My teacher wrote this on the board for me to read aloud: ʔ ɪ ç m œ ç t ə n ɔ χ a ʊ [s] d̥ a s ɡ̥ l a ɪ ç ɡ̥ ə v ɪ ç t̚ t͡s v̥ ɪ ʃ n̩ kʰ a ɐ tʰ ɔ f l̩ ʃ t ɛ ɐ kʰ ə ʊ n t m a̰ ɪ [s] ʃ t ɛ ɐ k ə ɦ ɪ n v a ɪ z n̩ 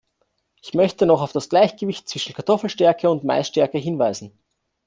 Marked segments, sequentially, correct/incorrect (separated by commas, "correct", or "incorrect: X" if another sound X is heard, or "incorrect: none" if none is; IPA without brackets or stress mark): incorrect: f, correct